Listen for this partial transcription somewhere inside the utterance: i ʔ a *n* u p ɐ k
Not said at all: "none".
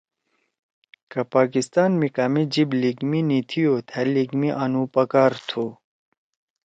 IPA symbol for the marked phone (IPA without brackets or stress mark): n